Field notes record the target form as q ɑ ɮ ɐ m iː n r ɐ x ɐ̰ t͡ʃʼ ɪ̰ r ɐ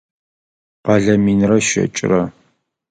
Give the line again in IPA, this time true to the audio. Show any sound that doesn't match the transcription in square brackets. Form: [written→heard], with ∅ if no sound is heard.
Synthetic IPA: q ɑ ɮ ɐ m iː n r ɐ [x→ʃ] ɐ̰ t͡ʃʼ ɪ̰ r ɐ